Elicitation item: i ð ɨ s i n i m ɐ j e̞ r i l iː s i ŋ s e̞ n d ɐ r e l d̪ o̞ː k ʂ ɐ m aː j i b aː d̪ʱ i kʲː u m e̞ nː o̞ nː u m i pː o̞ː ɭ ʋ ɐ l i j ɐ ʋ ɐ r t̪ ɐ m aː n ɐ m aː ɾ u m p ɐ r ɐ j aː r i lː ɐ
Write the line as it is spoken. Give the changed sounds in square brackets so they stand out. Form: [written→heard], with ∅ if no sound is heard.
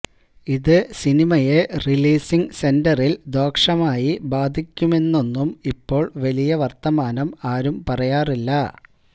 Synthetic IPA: i ð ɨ s i n i m ɐ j e̞ r i l iː s i ŋ s e̞ n d ɐ r [e→i] l d̪ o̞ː k ʂ ɐ m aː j i b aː d̪ʱ i kʲː u m e̞ nː o̞ nː u m i pː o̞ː ɭ ʋ ɐ l i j ɐ ʋ ɐ r t̪ ɐ m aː n ɐ m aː ɾ u m p ɐ r ɐ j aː r i lː ɐ